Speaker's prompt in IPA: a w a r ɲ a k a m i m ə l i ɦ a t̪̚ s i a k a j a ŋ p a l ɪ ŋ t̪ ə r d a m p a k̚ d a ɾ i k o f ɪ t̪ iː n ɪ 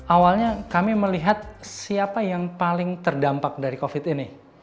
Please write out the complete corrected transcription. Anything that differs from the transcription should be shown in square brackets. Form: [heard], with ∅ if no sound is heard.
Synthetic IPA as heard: a w a [l] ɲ a k a m i m ə l i ɦ a t̪̚ s i a [p] a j a ŋ p a l ɪ ŋ t̪ ə r d a m p a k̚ d a ɾ i k o f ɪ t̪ [i] n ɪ